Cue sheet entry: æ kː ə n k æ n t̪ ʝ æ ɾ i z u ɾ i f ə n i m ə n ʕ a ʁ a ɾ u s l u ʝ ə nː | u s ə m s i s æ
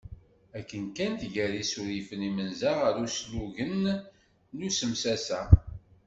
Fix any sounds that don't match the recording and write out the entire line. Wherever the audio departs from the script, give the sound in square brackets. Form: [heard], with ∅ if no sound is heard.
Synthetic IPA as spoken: æ kː ə n k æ n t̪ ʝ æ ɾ i [s] u ɾ i f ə n i m ə n [z] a ʁ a ɾ u s l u ʝ ə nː | u s ə m s [æ] s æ